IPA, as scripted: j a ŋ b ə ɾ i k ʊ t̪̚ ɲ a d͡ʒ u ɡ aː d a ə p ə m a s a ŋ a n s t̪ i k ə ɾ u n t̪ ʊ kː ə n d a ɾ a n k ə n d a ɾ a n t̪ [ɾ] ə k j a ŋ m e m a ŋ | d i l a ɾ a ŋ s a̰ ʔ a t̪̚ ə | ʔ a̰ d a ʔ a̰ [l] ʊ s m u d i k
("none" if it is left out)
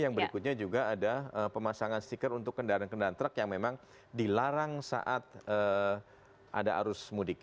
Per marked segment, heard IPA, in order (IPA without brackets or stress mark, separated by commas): ɾ, ɾ